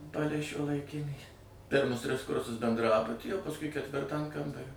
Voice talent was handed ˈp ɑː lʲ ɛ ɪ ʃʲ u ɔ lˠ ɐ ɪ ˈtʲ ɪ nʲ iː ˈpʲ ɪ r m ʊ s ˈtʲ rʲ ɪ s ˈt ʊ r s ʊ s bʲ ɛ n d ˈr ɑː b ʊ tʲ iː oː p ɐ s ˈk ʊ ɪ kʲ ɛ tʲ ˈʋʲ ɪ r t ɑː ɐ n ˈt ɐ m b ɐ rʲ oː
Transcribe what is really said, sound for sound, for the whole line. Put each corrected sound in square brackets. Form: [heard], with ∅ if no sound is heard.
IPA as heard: ˈp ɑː lʲ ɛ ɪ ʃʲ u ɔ lˠ ɐ ɪ [ˈkʲ] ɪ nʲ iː ˈpʲ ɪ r m ʊ s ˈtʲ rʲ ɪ s [ˈk] ʊ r s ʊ s bʲ ɛ n d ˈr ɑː b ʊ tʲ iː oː p ɐ s ˈk ʊ ɪ kʲ ɛ tʲ ˈʋʲ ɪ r t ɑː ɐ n [ˈk] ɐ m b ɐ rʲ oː